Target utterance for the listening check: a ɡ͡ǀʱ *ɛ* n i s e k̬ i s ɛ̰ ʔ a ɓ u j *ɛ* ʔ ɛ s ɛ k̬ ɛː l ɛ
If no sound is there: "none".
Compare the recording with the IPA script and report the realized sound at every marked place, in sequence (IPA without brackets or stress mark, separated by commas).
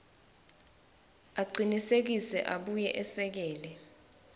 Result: i, ɛ